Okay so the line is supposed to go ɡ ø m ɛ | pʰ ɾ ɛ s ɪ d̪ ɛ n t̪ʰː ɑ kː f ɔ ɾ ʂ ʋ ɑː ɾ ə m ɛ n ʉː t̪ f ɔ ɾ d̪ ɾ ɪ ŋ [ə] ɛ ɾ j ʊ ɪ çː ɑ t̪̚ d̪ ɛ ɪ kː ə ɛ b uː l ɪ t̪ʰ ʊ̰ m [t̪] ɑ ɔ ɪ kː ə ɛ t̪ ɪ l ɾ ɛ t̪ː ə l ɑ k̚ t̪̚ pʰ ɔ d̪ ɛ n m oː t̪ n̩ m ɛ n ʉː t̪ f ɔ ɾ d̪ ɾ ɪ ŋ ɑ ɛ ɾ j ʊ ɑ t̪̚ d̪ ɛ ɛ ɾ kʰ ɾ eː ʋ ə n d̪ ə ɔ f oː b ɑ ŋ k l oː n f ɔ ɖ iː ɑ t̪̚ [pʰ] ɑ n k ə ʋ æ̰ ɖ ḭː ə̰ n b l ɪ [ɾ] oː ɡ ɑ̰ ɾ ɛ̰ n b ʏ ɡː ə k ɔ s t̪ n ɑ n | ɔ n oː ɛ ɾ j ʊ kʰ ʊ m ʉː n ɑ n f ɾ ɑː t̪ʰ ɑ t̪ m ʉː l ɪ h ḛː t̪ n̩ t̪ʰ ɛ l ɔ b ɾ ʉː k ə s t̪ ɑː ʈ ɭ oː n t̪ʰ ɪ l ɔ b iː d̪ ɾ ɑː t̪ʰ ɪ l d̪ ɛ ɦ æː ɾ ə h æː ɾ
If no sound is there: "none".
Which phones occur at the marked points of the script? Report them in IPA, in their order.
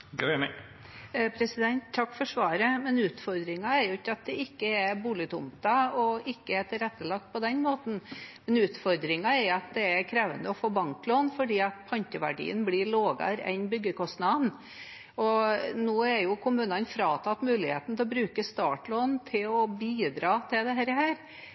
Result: ɑ, t̪, pʰ, ɭ

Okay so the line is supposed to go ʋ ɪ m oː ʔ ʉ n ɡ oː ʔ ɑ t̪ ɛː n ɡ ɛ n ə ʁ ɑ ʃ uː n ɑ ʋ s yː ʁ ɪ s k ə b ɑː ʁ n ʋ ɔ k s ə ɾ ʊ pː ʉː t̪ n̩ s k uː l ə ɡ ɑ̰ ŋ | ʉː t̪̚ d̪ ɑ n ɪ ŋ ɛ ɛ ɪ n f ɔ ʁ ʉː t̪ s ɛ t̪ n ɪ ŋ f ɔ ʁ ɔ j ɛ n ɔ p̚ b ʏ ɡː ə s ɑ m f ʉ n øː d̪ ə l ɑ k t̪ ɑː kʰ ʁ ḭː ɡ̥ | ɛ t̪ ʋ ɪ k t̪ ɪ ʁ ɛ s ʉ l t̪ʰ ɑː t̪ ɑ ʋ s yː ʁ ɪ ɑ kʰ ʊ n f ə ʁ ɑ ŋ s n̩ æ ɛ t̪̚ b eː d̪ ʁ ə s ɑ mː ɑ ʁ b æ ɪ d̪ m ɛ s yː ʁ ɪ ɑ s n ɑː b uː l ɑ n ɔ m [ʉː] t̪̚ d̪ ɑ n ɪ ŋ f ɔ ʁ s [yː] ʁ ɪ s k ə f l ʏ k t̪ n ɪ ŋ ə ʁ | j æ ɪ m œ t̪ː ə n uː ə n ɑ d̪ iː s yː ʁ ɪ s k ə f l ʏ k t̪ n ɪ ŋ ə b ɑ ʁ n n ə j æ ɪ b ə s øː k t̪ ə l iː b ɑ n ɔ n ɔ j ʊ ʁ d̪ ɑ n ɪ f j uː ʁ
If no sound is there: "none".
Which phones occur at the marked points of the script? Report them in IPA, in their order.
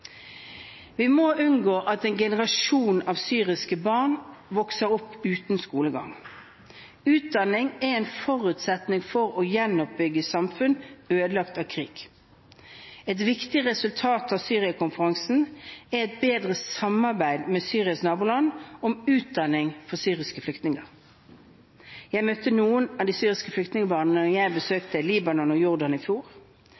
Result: ʉː, yː

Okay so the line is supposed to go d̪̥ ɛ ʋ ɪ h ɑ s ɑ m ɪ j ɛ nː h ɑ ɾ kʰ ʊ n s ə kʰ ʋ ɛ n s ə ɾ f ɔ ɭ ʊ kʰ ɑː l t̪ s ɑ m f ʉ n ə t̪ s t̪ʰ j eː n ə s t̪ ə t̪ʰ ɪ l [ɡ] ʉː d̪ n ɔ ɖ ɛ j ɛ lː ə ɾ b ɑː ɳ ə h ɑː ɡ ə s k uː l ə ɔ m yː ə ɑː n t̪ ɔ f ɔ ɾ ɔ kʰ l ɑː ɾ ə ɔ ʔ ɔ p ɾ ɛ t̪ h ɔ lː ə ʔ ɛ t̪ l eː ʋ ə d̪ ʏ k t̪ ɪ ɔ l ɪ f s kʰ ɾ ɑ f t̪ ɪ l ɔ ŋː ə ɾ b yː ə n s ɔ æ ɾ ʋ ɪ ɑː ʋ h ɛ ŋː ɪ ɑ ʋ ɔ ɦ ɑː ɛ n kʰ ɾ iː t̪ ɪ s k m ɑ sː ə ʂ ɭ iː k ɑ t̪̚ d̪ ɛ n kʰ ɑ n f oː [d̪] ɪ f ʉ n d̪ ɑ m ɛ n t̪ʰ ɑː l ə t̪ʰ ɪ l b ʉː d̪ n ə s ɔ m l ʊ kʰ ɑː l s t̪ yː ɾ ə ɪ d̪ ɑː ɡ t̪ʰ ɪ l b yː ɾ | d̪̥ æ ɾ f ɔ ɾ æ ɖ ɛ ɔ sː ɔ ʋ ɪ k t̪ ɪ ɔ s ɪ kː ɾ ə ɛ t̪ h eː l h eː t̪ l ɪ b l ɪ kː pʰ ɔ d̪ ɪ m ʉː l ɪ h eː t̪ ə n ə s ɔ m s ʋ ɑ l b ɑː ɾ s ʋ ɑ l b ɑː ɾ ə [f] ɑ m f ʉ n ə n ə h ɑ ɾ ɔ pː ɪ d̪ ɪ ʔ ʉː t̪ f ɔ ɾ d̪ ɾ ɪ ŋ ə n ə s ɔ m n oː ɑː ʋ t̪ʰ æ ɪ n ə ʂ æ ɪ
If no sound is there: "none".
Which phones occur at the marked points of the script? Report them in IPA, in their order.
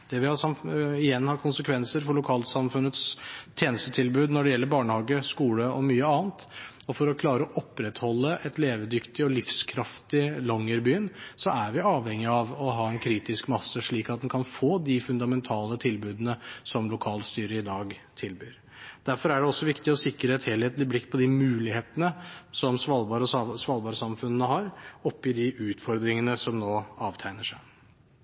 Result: b, d̪, s

